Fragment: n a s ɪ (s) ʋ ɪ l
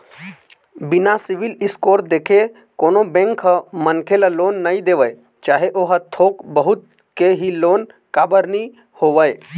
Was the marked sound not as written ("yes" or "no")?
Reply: yes